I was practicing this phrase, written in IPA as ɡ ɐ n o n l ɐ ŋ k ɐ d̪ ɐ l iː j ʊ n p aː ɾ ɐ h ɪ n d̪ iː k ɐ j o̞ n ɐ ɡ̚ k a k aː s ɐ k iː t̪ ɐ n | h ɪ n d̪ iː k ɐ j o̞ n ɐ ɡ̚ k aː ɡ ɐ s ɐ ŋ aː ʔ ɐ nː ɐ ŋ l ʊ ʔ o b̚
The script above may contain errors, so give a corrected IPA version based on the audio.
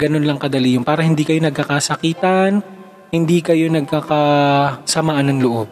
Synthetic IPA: ɡ ɐ n o n l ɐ ŋ k ɐ d̪ ɐ l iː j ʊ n p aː ɾ ɐ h ɪ n d̪ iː k ɐ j o̞ n ɐ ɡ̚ k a k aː s ɐ k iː t̪ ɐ n | h ɪ n d̪ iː k ɐ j o̞ n ɐ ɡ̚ k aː k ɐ s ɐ m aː ʔ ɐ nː ɐ ŋ l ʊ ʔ o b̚